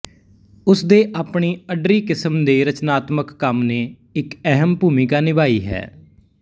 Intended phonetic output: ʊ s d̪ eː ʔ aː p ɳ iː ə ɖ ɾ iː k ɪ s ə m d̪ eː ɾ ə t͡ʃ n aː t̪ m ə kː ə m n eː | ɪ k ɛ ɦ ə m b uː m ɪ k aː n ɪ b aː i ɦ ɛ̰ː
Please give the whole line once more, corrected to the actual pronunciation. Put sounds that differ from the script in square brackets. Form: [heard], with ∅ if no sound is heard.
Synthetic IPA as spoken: ʊ s d̪ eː ʔ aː p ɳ iː ə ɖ ɾ iː k ɪ s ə m d̪ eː ɾ ə t͡ʃ n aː t̪ m ə kː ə m n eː | ɪ k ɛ ɦ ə m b uː m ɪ k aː n ɪ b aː [iː] ɦ ɛ̰ː